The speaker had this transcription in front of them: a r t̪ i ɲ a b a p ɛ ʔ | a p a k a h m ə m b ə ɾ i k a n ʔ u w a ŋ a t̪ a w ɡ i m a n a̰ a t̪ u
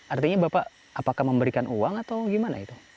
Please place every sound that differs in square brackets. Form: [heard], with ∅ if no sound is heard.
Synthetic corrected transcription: a r t̪ i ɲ a b a p [a] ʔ | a p a k a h m ə m b ə ɾ i k a n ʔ u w a ŋ a t̪ a w ɡ i m a n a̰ [i] t̪ u